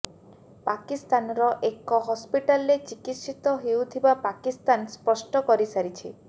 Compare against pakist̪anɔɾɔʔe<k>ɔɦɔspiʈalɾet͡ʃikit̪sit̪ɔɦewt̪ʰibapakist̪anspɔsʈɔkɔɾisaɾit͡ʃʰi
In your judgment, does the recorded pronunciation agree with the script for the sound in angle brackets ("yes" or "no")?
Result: yes